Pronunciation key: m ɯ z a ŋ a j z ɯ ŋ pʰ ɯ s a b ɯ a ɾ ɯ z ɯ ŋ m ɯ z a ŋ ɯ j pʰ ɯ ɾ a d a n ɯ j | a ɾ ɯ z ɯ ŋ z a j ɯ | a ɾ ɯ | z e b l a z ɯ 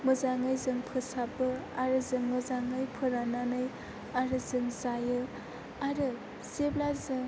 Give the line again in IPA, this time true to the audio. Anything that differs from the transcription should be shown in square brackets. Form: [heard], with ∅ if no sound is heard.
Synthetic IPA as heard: m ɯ z a ŋ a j z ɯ ŋ pʰ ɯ s a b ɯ a ɾ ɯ z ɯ ŋ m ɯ z a ŋ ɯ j pʰ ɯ ɾ a [n] a n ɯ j | a ɾ ɯ z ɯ ŋ z a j ɯ | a ɾ ɯ | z e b l a z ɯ